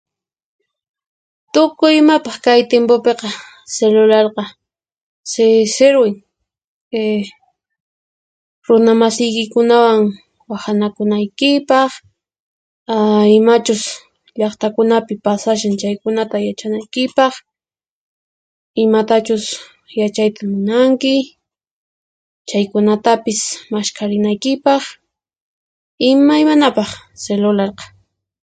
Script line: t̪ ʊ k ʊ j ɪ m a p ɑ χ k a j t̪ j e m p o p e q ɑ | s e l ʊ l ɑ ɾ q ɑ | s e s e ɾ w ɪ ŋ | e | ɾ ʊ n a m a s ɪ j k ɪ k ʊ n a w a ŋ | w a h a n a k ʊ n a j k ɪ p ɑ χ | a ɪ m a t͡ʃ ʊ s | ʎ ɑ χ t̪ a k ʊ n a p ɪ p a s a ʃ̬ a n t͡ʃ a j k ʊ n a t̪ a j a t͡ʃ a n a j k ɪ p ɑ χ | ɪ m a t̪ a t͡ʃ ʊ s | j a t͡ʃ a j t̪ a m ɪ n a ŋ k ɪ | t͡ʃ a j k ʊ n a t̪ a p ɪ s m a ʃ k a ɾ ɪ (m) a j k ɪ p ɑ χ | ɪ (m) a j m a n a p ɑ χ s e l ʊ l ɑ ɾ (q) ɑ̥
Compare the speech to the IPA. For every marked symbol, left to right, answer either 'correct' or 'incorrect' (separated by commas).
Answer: incorrect, correct, correct